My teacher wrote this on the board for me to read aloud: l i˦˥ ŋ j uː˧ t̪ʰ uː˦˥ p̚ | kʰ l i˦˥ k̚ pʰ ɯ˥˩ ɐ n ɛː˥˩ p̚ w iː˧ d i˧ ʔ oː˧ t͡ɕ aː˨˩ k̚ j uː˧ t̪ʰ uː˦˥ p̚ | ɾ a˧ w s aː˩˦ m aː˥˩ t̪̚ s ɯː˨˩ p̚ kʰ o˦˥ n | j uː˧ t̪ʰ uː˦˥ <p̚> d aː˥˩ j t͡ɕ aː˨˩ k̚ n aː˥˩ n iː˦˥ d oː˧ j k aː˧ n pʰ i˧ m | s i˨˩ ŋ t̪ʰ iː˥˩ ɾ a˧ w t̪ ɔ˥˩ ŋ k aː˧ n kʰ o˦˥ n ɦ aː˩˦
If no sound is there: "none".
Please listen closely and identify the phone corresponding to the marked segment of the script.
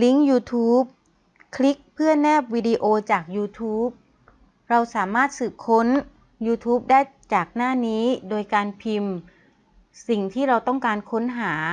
p̚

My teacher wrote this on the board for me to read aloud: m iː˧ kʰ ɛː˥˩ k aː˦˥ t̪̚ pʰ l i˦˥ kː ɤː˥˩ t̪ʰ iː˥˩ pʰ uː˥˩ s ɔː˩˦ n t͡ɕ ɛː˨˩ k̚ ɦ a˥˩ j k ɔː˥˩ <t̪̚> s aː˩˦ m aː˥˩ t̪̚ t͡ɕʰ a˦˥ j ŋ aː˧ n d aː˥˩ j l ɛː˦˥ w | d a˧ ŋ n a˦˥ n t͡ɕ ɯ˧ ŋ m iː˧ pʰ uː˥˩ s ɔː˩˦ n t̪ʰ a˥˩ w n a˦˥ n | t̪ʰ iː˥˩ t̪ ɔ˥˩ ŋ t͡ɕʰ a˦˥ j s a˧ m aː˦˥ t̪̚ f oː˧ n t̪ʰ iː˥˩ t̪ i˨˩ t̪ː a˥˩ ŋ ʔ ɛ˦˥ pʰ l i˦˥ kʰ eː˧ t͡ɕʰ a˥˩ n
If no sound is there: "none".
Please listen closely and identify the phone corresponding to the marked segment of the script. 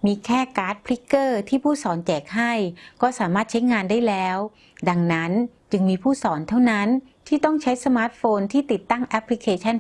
none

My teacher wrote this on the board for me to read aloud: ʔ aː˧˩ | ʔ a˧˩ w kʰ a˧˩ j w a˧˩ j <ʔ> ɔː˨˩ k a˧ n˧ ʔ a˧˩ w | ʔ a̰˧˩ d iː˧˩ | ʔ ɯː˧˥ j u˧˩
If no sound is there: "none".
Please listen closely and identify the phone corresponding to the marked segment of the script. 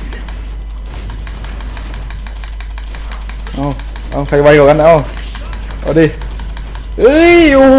k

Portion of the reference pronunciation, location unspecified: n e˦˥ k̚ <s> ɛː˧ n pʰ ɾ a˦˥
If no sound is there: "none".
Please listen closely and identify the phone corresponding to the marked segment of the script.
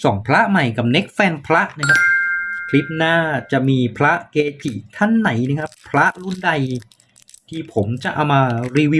f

